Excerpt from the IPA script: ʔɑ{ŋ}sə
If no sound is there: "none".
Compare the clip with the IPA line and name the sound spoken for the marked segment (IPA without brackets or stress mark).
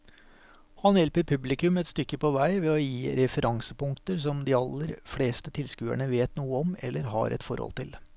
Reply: ŋ